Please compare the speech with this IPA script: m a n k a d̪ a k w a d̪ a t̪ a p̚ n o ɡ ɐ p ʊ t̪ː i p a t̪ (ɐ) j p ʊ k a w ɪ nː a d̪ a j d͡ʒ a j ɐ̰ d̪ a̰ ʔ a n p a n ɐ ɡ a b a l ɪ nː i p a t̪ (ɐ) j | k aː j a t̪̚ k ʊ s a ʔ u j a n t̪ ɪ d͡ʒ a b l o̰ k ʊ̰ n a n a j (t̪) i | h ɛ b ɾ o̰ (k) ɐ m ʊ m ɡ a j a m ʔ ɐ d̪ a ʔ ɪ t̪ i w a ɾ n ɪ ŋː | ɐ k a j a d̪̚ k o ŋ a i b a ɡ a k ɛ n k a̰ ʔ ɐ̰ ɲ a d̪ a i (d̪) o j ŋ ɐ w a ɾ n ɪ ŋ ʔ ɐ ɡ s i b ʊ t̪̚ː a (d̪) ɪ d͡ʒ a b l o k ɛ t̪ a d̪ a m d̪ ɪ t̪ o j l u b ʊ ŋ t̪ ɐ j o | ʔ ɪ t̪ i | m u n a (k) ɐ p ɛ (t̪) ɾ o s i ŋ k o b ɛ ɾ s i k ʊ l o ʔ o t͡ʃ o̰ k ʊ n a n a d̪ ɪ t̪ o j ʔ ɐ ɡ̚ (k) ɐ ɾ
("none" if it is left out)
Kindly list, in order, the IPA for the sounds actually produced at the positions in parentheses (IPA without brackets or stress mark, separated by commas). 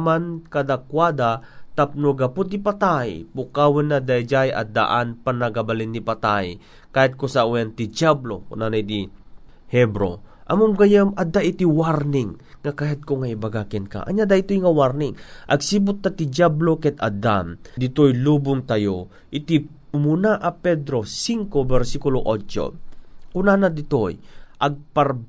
a, a, d̪, ʔ, t̪, t̪, ʔ, d̪, p